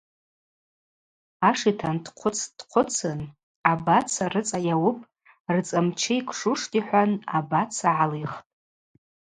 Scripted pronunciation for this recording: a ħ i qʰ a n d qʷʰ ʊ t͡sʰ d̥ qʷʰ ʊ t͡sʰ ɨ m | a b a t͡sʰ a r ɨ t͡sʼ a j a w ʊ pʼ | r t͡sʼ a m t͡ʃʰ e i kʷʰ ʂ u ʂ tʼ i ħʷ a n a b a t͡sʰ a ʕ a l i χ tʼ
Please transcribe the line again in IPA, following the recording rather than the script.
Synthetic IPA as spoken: a ʂ i tʰ a n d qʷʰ ʊ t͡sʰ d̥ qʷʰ ʊ t͡sʰ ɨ n | a b a t͡sʰ a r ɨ t͡sʼ a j a w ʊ pʼ | r t͡sʼ a m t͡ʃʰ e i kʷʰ ʂ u ʂ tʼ i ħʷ a n a b a t͡sʰ a ʕ a l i χ tʼ